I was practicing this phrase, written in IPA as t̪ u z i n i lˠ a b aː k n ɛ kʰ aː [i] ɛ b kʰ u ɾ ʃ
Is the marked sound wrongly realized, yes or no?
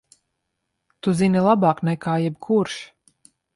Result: yes